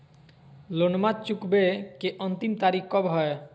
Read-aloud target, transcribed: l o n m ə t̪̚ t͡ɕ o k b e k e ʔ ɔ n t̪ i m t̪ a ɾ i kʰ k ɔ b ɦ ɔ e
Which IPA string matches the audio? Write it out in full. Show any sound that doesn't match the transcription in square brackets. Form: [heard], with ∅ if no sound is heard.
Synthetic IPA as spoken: l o n m [a] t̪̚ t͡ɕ [u] k b e k e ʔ ɔ n t̪ i m t̪ a ɾ i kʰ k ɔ b ɦ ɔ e

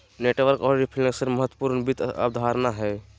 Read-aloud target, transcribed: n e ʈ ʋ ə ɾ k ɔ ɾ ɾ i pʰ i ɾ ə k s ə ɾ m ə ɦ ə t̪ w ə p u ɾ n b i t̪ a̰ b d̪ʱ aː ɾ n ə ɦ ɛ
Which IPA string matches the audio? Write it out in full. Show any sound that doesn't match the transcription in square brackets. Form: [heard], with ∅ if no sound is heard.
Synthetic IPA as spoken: n e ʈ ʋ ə ɾ k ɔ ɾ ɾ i pʰ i [l] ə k s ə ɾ m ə ɦ ə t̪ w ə p u ɾ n b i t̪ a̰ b d̪ʱ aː ɾ n [a] ɦ ɛ

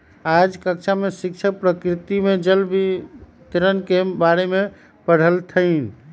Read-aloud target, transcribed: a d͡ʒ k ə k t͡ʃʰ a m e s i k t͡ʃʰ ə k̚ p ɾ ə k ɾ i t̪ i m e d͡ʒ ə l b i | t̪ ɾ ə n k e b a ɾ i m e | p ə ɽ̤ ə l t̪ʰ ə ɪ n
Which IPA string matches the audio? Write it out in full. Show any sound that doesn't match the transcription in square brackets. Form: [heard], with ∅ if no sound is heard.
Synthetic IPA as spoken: a d͡ʒ k ə k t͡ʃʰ a m e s i k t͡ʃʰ ə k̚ p ɾ ə k ɾ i t̪ i m e d͡ʒ ə l b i | t̪ ɾ ə n k e b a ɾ [e] m e | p ə ɽ̤ ə l t̪ʰ ə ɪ n

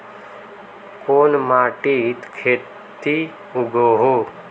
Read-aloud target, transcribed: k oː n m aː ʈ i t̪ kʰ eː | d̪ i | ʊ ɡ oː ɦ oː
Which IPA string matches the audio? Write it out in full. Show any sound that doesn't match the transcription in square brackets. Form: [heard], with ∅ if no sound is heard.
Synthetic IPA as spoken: k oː n m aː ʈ i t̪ kʰ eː | [t̪] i | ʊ ɡ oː ɦ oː

